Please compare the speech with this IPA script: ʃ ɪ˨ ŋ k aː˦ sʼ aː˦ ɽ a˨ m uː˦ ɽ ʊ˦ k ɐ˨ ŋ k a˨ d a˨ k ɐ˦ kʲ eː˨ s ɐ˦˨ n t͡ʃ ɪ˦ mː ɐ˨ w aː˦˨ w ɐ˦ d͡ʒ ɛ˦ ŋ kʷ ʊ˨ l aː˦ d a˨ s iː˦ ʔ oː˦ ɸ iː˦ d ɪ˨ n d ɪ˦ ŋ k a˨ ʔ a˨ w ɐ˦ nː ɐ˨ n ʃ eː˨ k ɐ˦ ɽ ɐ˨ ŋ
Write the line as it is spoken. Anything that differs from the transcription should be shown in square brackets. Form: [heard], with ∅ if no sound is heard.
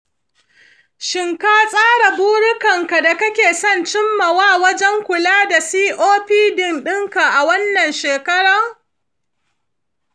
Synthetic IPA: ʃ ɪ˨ ŋ k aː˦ sʼ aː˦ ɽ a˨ [b] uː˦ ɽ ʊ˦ k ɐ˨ ŋ k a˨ d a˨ k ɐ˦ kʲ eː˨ s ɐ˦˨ n t͡ʃ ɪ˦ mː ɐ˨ w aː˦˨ w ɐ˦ d͡ʒ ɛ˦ ŋ kʷ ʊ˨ l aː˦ d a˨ s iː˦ ʔ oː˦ ɸ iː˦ d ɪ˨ n [ɗ] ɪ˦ ŋ k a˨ ʔ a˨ w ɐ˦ nː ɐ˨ n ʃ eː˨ k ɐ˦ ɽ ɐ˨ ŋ